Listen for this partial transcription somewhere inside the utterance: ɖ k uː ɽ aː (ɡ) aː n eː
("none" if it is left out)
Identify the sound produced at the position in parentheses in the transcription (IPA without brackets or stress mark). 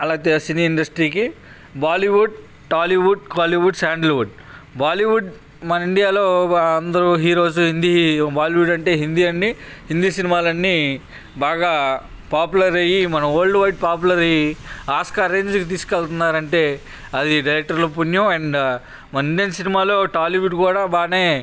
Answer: b